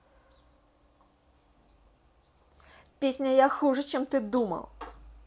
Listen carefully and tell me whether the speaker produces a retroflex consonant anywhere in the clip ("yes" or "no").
yes